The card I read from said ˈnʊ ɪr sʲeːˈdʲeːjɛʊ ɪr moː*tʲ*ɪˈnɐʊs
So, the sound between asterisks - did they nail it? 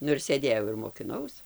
no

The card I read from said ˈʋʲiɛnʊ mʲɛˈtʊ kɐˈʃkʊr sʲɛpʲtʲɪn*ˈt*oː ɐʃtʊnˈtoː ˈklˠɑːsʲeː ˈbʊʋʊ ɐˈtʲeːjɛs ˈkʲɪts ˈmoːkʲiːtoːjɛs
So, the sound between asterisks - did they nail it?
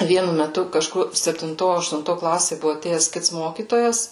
yes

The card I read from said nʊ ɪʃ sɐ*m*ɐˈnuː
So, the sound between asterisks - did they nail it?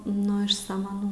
yes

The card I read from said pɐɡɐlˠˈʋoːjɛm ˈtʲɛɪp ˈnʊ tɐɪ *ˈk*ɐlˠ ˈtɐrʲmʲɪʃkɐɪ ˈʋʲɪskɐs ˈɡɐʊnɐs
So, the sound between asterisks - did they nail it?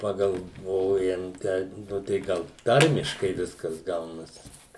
no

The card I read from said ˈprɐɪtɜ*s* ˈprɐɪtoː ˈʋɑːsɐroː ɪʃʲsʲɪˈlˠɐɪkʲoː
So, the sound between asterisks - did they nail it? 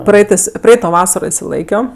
yes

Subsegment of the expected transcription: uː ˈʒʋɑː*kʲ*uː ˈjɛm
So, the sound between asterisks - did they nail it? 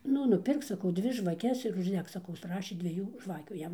yes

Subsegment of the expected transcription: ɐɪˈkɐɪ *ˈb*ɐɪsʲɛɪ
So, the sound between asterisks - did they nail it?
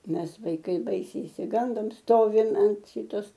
yes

